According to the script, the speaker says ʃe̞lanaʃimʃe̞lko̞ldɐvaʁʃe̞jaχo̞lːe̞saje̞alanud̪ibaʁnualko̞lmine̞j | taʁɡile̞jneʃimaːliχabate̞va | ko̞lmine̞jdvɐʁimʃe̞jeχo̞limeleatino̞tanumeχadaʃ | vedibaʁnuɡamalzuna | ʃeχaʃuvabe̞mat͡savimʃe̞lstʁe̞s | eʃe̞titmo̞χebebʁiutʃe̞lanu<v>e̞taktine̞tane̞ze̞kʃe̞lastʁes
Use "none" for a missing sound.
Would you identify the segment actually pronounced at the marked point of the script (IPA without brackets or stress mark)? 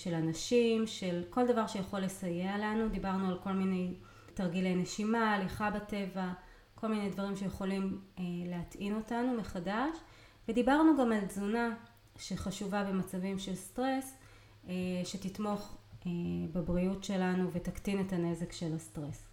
v